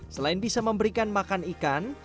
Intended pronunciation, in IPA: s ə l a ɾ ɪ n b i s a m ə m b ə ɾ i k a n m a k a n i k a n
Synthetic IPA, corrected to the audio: s ə l a ɪ n b i s a m ə m b ə ɾ i k a n m a k a n i k a n